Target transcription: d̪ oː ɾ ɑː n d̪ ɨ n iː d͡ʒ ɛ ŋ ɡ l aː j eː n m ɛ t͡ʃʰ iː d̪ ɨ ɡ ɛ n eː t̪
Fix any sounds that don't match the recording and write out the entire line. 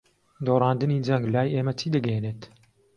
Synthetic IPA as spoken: d̪ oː ɾ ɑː n d̪ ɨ n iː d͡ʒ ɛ ŋ ɡ l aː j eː m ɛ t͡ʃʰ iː d̪ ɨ ɡ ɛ n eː t̪